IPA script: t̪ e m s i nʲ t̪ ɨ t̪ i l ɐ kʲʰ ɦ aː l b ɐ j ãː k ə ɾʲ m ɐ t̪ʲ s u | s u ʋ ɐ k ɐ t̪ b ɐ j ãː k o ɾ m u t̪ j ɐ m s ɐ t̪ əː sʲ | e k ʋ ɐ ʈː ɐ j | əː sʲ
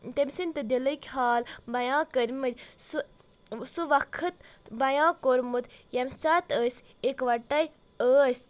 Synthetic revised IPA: t̪ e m s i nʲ t̪ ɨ d̪ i l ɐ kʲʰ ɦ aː l b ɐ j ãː k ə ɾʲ m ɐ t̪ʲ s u | s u ʋ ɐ kʰ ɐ t̪ b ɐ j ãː k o ɾ m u t̪ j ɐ m s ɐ t̪ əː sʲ | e k ʋ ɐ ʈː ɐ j | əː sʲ